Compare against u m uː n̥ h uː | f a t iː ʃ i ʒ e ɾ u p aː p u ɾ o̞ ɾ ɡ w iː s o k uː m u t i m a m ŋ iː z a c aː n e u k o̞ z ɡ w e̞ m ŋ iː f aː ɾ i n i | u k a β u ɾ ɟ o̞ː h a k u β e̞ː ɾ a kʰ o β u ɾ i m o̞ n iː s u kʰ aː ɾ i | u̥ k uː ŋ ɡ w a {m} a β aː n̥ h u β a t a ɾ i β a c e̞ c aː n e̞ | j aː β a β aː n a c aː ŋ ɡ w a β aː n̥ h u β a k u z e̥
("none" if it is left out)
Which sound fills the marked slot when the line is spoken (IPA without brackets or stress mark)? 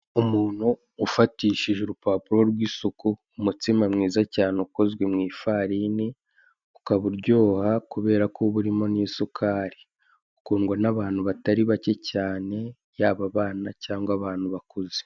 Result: n